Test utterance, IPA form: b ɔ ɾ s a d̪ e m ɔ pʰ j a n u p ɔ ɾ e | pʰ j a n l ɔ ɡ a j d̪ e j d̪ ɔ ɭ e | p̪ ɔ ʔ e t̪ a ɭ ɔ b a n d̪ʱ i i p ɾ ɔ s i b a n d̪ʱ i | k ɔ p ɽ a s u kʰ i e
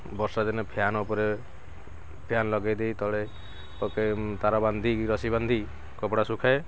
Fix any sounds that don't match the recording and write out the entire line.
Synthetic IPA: b ɔ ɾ s a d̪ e n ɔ pʰ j a n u p ɔ ɾ e | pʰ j a n l ɔ ɡ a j d̪ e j t̪ ɔ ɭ e | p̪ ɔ k e t̪ a ɾ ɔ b a n d̪ʱ i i ɾ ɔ s i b a n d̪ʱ i | k ɔ p ɽ a s u kʰ a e